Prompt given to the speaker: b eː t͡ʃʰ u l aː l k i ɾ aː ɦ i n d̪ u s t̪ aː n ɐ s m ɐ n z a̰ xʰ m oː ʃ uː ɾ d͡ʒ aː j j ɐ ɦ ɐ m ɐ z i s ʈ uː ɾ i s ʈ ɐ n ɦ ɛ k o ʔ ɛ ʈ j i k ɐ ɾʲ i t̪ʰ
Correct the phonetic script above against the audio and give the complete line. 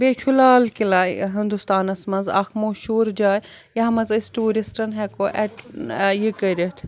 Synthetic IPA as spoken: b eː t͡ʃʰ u l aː l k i l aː ɦ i n d̪ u s t̪ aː n ɐ s m ɐ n z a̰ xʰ m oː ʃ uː ɾ d͡ʒ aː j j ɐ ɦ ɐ m ɐ z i s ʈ uː ɾ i s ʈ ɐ n ɦ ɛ k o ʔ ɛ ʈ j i k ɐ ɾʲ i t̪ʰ